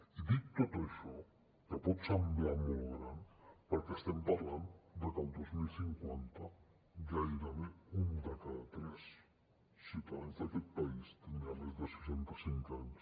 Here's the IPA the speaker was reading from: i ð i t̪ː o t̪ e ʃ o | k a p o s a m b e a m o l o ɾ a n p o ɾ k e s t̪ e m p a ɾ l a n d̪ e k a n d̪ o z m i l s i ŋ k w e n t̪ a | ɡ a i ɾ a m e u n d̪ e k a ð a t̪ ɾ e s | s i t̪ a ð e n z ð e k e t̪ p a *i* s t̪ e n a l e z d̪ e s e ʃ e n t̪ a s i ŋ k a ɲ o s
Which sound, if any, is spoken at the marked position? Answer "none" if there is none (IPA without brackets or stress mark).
i